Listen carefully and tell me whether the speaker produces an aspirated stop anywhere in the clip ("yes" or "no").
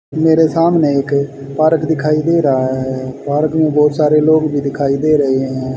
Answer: yes